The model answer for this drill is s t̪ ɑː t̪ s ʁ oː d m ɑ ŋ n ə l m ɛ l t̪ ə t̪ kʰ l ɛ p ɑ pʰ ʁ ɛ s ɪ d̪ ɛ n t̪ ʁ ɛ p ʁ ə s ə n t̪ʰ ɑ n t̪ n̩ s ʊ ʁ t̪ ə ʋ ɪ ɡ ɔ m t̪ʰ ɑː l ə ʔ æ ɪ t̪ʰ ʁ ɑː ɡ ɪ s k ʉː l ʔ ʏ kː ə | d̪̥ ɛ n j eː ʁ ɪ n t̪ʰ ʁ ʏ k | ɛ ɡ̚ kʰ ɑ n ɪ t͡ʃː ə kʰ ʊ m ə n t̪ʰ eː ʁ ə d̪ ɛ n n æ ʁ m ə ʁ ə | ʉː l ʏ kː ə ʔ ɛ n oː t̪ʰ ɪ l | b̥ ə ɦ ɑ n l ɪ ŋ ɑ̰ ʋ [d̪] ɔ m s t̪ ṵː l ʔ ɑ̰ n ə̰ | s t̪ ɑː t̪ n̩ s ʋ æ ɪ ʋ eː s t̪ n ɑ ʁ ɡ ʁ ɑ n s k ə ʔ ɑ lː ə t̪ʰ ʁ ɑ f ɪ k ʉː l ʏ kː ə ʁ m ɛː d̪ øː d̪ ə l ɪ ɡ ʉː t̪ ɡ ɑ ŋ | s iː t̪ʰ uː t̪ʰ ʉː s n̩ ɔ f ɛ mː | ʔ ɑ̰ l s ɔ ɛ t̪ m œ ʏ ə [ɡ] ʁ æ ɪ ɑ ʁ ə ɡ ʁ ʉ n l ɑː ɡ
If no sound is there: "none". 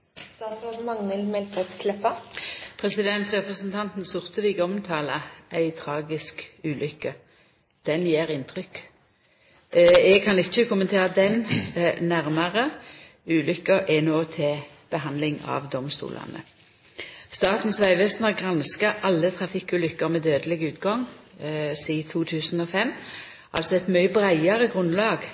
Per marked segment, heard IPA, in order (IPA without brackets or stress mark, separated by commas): d̪, b